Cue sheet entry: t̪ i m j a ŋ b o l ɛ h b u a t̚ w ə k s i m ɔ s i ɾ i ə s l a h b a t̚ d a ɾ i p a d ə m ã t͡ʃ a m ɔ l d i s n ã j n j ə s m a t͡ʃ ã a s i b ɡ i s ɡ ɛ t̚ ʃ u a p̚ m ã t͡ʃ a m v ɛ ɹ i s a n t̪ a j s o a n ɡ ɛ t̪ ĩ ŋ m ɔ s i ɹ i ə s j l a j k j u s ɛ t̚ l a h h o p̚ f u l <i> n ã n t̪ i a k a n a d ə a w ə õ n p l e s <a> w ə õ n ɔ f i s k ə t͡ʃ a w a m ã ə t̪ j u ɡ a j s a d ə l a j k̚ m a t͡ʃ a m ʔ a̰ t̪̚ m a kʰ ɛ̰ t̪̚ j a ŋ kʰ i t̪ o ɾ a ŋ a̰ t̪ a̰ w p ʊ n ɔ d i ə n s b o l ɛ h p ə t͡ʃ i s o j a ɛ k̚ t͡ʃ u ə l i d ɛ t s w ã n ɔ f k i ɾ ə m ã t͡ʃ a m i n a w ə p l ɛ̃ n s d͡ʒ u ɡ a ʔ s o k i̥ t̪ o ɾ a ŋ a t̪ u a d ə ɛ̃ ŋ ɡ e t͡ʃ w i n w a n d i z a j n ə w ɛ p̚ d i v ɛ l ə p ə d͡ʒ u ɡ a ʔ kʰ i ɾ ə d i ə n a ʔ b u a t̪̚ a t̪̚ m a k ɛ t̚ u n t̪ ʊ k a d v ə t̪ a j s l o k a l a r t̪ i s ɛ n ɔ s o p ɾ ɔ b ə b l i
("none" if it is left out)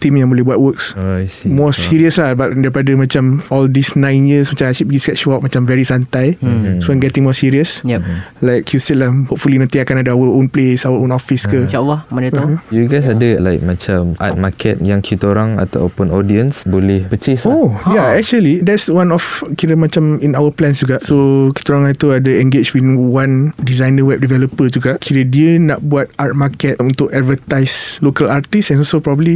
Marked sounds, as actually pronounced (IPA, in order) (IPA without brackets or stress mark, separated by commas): i, a